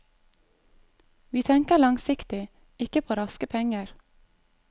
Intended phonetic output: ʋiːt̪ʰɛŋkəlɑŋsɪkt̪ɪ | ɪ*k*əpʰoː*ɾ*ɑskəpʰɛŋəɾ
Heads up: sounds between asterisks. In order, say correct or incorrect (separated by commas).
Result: correct, correct